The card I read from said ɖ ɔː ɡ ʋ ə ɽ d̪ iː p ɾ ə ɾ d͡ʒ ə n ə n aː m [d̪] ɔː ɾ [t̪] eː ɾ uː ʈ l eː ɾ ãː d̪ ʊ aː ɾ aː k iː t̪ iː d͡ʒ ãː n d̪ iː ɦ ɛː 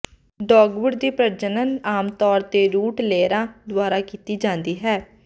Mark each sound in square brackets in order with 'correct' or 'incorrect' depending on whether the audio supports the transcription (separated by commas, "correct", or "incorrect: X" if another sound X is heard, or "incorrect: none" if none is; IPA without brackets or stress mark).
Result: incorrect: t̪, correct